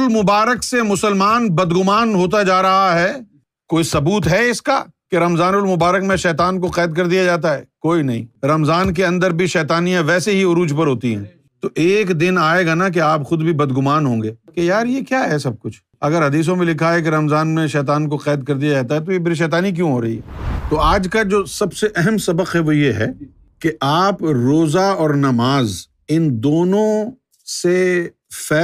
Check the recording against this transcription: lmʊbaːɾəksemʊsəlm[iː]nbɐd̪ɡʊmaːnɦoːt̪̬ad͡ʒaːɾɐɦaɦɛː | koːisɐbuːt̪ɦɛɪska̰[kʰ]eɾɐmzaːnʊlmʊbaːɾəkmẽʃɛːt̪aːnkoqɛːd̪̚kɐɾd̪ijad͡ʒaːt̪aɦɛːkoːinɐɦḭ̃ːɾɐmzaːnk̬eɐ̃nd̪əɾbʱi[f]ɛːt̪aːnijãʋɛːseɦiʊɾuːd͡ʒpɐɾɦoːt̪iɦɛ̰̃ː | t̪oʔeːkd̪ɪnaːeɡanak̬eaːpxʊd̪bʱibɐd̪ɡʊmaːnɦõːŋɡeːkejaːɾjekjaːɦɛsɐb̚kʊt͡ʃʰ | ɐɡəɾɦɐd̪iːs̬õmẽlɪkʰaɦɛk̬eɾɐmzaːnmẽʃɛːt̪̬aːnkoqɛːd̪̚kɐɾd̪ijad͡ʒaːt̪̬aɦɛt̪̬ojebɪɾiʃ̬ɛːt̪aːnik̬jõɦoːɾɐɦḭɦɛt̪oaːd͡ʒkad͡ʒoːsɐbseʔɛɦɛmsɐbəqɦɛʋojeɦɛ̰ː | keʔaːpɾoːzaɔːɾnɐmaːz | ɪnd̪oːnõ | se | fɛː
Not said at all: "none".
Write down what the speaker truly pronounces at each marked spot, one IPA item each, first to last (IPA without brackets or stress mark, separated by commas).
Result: aː, k, ʃ